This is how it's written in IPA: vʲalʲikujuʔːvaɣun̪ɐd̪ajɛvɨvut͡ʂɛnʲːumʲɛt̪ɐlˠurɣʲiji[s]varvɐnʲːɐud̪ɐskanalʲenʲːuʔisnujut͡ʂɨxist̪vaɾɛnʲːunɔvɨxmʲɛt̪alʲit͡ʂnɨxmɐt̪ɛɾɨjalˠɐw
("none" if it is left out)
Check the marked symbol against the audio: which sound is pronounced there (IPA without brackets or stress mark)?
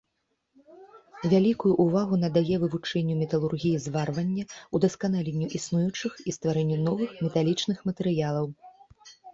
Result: z